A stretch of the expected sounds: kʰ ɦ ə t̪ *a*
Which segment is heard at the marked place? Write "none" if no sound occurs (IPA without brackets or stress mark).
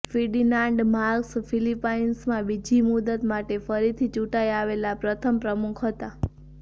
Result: a